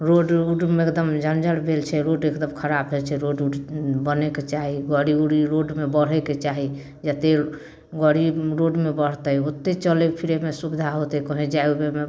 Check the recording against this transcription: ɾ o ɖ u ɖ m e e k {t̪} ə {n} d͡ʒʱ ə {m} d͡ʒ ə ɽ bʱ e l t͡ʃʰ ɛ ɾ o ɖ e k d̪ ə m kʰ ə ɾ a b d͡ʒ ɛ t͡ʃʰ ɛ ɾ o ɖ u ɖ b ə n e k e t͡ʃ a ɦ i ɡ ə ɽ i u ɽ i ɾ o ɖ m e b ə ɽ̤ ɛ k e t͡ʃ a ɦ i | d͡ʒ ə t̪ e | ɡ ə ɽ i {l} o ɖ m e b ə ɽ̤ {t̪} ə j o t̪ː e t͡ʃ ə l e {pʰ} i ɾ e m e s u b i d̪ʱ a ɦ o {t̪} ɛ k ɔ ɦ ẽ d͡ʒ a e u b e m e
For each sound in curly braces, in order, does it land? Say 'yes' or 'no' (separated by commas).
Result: no, no, no, no, yes, yes, yes